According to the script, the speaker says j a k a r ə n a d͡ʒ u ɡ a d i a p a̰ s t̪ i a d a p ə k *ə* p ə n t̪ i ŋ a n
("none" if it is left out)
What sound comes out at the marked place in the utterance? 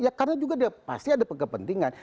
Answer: ə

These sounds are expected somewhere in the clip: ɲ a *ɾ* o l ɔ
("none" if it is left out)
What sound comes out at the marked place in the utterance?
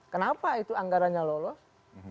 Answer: l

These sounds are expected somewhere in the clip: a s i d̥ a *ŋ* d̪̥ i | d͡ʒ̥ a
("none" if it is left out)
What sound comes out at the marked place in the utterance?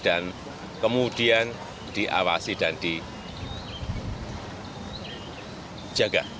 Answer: n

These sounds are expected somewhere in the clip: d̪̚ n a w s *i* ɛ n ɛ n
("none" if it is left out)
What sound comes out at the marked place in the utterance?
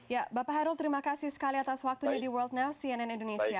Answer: i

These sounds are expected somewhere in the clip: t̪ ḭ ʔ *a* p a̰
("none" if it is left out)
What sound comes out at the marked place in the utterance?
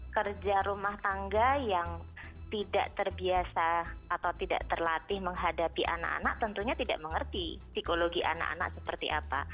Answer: a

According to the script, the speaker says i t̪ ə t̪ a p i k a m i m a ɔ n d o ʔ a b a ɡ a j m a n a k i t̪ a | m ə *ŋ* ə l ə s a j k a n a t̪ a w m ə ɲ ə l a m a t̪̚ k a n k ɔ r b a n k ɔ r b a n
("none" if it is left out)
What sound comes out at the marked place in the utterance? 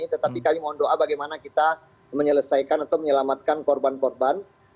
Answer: ɲ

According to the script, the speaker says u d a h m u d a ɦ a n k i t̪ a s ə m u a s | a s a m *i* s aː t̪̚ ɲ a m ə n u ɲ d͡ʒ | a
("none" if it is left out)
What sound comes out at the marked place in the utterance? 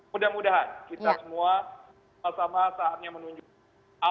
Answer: a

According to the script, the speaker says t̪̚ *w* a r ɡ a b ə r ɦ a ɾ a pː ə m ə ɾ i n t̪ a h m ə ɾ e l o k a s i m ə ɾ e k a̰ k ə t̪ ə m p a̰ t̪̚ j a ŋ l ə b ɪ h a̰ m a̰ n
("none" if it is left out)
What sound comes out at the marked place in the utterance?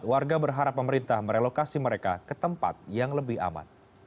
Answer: w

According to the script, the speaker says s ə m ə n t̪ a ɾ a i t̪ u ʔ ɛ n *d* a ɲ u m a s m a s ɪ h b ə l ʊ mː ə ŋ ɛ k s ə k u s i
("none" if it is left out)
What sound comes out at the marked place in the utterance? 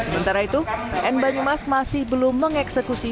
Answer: b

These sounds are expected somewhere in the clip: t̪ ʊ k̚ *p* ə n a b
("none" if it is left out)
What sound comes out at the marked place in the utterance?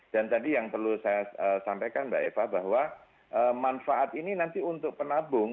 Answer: p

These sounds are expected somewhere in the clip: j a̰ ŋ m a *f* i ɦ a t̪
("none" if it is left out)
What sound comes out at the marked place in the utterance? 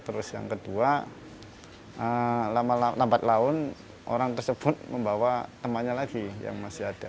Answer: s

